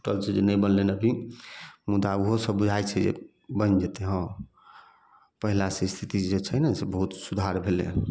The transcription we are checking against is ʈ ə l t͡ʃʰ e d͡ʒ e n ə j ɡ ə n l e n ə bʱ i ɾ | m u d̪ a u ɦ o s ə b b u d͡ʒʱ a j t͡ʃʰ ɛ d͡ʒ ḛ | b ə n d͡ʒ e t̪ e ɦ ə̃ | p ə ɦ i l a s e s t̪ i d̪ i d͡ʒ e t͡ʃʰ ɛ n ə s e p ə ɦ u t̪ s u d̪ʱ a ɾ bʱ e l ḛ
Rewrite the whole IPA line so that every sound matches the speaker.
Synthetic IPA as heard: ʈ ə l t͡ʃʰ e d͡ʒ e n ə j b ə n l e n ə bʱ i | m u d̪ a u ɦ o s ə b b u d͡ʒʱ a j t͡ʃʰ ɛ d͡ʒ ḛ | b ə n d͡ʒ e t̪ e ɦ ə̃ | p ə ɦ i l a s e s t̪ʰ i t̪ i d͡ʒ e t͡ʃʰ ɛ n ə s e b ə ɦ u t̪ s u d̪ʱ a ɾ bʱ e l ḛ